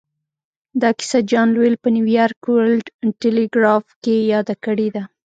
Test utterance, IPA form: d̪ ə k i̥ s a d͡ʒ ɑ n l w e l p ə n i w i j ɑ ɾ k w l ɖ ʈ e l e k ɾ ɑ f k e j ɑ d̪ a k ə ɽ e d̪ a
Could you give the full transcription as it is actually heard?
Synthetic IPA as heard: d̪ ɑ k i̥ s a d͡ʒ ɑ n l w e l p ə n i w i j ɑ ɾ k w l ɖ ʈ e l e ɡ ɾ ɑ f k e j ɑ d̪ a k ə ɽ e d̪ a